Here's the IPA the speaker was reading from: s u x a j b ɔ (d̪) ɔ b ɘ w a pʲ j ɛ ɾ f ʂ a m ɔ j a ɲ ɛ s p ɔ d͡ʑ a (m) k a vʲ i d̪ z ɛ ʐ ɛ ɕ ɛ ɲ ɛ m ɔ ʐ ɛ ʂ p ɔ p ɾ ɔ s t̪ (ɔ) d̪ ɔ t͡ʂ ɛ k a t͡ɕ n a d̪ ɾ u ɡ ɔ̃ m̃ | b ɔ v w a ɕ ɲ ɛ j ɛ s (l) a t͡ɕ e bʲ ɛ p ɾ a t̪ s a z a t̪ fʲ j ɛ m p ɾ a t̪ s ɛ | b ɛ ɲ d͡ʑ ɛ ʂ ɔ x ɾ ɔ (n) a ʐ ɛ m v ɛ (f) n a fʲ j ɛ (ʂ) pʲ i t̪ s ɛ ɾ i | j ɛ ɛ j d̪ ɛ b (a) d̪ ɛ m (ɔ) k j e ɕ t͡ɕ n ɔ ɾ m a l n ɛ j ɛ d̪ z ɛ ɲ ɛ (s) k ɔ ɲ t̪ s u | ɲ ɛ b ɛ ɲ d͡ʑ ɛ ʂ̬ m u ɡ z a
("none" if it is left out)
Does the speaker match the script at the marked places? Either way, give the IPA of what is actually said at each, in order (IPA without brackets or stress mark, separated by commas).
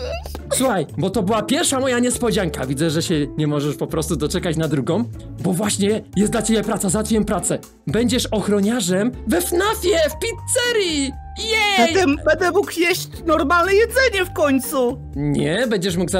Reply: t̪, ŋ, u, l, ɲ, f, f, ɛ, u, f